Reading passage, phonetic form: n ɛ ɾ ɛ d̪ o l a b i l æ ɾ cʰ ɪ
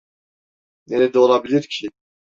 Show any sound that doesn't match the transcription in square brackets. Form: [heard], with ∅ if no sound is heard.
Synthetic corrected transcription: n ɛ ɾ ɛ d̪ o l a b i l [i] ɾ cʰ [i]